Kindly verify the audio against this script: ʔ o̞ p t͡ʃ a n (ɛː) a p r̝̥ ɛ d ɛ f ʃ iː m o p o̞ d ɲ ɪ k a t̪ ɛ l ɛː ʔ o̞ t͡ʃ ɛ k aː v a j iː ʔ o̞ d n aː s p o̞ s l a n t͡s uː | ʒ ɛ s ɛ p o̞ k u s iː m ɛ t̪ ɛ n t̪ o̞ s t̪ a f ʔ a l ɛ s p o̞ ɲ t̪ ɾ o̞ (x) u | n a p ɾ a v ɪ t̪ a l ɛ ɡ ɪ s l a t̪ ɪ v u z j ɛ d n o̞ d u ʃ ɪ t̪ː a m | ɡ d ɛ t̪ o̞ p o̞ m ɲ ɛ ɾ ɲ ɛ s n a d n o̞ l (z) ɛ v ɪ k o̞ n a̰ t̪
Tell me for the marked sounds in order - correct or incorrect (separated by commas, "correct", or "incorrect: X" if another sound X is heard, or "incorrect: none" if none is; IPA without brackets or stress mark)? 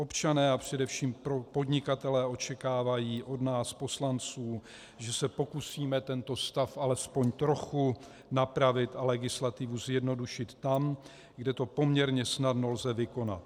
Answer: correct, correct, correct